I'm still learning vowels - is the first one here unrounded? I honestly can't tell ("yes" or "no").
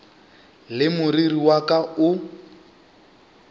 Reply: yes